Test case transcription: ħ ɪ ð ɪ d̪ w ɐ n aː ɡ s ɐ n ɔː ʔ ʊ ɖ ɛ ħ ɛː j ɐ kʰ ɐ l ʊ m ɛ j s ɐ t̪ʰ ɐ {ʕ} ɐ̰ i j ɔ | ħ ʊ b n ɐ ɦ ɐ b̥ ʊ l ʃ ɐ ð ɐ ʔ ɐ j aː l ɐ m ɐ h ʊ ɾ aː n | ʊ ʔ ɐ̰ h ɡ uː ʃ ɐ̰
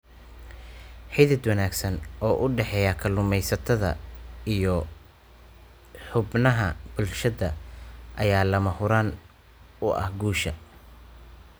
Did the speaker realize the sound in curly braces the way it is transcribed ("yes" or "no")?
no